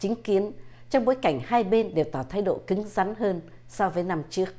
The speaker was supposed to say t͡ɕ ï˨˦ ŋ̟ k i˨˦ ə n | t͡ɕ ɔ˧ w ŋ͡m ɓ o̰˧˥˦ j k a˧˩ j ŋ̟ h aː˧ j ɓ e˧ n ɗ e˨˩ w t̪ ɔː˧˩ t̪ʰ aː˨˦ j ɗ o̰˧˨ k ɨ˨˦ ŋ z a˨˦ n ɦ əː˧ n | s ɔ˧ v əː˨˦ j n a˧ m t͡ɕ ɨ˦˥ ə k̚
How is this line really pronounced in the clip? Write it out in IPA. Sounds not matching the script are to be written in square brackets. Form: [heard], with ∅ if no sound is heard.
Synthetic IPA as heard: t͡ɕ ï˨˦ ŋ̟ k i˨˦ ə n | t͡ɕ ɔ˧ w ŋ͡m ɓ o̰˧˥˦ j k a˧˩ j ŋ̟ h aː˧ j ɓ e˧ n ɗ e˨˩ w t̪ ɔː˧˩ t̪ʰ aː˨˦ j ɗ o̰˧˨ k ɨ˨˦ ŋ z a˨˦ n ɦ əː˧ n | s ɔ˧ v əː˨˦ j n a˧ m t͡ɕ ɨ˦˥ ə k̚